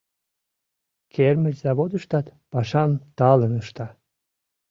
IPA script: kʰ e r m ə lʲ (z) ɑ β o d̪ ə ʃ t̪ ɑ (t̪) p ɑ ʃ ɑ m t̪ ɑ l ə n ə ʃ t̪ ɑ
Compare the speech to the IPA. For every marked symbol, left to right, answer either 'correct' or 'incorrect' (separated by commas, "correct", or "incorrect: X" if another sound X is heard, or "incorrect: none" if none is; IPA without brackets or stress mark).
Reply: correct, correct